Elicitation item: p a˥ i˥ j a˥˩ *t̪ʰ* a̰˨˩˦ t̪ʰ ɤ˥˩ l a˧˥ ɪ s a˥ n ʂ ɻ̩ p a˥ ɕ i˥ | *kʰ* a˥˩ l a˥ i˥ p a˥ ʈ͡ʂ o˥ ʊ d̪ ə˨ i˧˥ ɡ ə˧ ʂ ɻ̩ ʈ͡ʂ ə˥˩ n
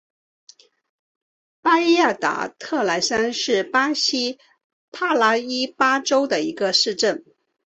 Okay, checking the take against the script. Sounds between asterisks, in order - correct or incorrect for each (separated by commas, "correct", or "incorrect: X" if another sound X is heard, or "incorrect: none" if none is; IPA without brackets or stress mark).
incorrect: t̪, incorrect: pʰ